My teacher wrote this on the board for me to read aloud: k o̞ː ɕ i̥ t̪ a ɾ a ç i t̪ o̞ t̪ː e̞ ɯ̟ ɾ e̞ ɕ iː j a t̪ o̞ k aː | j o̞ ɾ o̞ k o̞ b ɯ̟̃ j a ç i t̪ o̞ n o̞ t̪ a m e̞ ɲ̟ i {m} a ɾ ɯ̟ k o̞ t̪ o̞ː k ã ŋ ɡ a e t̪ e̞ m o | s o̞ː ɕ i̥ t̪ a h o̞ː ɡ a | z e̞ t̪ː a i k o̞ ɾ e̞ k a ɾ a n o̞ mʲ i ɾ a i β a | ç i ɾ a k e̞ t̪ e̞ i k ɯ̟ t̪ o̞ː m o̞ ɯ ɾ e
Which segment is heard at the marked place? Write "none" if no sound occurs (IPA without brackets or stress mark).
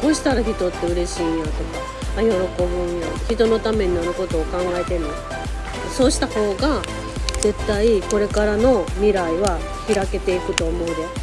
n